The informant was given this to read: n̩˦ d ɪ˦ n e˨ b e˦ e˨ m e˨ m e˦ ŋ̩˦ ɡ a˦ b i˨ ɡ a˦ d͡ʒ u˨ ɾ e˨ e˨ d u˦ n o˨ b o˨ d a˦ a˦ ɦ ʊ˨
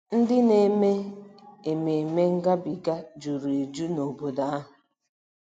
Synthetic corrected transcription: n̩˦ d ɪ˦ n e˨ m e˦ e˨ m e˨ m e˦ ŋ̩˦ ɡ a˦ b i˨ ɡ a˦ d͡ʒ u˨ ɾ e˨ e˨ d͡ʒ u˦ n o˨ b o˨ d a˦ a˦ ɦ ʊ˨